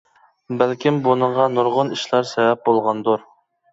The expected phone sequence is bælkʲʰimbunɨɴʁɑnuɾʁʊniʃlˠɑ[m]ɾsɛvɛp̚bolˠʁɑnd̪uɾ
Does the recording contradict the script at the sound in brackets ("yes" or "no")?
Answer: yes